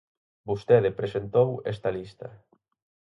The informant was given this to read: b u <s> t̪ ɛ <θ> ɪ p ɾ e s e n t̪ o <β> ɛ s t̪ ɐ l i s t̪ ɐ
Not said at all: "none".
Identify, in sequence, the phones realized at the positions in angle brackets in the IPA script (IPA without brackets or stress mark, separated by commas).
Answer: s, ð, w